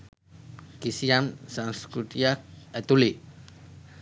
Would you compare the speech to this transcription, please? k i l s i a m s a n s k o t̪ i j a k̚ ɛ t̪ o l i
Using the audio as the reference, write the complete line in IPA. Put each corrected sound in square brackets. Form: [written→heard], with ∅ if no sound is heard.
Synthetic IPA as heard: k i [l→∅] s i a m s a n s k [o→u] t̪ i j a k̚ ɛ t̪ [o→u] l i